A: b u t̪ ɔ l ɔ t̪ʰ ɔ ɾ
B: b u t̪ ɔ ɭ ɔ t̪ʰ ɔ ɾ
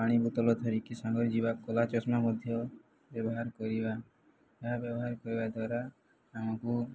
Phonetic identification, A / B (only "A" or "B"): A